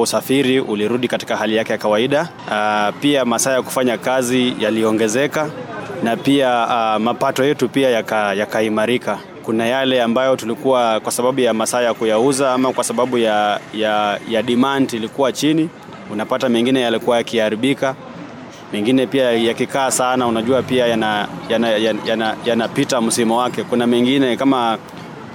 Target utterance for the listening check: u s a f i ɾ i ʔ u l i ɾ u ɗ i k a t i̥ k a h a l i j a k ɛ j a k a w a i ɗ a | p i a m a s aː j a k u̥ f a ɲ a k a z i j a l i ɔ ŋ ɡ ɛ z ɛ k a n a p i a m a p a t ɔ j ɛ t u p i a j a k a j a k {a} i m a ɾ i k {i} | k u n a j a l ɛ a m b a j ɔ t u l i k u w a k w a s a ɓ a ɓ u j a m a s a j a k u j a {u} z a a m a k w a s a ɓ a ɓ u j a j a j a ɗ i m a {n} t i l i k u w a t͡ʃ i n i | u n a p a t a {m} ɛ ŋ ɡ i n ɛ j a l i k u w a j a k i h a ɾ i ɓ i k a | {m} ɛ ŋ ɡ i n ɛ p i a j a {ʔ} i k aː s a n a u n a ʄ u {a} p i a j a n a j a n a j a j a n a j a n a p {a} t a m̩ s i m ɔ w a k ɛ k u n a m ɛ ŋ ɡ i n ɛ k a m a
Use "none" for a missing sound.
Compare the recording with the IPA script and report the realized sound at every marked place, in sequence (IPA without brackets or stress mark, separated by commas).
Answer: a, a, u, n, m, m, k, a, i